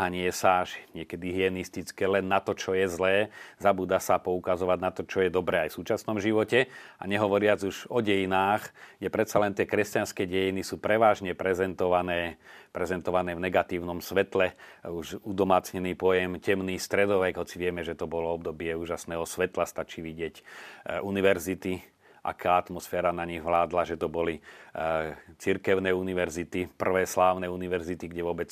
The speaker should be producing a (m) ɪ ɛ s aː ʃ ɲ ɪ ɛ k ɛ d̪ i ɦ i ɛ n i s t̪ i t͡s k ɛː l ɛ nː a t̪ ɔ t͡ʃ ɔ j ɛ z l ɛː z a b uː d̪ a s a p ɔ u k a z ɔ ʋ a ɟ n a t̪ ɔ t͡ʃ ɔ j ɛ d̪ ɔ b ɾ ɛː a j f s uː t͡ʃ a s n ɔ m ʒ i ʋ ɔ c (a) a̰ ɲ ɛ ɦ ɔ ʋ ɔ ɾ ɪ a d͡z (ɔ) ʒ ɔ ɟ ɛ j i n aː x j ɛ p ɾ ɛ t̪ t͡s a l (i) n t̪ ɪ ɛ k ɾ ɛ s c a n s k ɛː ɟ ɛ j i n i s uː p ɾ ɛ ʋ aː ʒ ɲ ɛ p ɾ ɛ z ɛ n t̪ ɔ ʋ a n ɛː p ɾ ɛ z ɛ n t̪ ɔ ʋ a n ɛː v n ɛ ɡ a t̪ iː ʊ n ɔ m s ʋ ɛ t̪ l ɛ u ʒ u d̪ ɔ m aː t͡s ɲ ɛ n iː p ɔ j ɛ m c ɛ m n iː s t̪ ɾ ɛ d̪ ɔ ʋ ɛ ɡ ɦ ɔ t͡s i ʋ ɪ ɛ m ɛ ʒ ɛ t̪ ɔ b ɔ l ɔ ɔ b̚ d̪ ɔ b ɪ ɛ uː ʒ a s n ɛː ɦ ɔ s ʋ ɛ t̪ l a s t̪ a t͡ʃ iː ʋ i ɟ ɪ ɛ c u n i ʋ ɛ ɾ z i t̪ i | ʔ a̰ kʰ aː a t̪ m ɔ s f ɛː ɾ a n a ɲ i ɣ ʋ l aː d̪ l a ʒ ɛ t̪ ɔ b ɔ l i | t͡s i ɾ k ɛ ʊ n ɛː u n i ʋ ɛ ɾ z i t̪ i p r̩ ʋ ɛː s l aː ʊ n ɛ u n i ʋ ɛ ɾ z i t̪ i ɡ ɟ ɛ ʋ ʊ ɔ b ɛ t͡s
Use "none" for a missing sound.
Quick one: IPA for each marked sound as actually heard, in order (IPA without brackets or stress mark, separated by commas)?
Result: ɲ, ɛ, u, ɛ